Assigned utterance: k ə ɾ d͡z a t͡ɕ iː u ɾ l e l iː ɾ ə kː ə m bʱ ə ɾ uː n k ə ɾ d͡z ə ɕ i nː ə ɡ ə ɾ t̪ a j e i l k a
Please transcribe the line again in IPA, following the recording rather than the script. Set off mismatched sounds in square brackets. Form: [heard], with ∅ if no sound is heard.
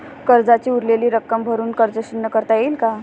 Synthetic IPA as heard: k ə ɾ d͡z a t͡ɕ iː u ɾ l e l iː ɾ ə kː ə m bʱ ə ɾ uː n k ə ɾ d͡z ə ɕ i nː ə [k] ə ɾ t̪ a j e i l k a